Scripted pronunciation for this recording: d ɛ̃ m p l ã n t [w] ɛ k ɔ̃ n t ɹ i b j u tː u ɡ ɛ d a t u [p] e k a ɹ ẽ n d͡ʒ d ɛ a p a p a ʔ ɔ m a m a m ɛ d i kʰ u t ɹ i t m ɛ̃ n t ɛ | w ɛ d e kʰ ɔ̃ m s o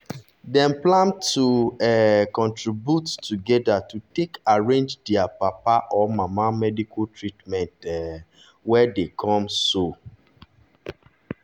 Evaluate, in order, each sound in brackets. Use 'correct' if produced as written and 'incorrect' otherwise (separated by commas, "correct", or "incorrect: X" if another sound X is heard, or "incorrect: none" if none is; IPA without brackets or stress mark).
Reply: incorrect: u, incorrect: t